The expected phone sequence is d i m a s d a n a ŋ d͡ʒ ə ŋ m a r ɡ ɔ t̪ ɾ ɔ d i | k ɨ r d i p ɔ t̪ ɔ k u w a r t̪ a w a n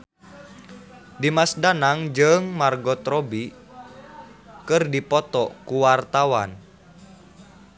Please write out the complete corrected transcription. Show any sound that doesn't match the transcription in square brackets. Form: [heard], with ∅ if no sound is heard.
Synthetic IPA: d i m a s d a n a ŋ d͡ʒ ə ŋ m a r ɡ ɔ t̪ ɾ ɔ [b] i | k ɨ r d i p ɔ t̪ ɔ k u w a r t̪ a w a n